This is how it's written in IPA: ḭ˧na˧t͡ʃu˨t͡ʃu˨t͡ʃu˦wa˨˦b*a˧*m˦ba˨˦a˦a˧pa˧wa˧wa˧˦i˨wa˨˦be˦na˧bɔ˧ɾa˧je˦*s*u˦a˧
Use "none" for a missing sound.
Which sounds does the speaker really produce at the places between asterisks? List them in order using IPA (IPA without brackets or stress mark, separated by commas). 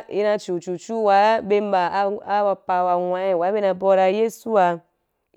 e˧, s